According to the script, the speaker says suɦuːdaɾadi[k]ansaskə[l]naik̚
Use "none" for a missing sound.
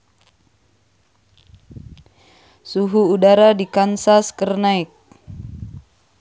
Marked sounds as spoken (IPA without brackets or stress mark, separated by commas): k, r